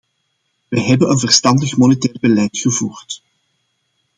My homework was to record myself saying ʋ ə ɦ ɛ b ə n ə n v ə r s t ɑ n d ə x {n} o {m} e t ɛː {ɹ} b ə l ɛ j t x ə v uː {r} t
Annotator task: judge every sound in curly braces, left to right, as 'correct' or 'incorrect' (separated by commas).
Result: incorrect, incorrect, incorrect, correct